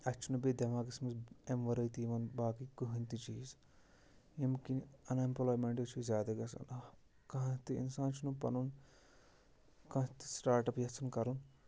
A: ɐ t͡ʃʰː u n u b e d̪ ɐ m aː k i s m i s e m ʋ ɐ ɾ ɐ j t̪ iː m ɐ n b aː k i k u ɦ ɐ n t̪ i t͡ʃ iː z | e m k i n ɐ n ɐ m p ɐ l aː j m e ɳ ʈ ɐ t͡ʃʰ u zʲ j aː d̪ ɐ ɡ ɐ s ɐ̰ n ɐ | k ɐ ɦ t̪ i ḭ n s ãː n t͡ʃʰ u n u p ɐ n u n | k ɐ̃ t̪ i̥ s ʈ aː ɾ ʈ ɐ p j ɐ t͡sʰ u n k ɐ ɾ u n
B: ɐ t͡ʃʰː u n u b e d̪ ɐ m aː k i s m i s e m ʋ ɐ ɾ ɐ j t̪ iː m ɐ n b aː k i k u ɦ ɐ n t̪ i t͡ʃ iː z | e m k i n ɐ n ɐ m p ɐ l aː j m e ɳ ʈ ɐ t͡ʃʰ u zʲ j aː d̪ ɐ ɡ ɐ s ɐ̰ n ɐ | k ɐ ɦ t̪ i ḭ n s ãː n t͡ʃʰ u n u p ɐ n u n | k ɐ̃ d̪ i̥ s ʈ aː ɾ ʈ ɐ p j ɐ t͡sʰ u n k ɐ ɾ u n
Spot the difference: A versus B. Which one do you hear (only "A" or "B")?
A